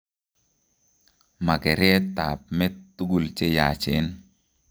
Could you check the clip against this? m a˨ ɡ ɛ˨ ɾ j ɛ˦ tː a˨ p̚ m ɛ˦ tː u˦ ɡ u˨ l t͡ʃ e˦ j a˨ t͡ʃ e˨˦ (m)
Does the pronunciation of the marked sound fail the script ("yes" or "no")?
yes